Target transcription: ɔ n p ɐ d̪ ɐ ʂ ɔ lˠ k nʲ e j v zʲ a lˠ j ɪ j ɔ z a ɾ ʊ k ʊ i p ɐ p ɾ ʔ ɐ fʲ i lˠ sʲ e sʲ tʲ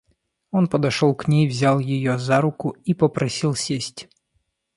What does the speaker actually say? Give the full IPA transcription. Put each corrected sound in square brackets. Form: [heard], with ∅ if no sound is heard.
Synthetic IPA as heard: ɔ n p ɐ d̪ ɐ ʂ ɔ lˠ k nʲ e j v zʲ a lˠ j ɪ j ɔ z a ɾ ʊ k ʊ i p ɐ p ɾ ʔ ɐ [sʲ] i lˠ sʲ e sʲ tʲ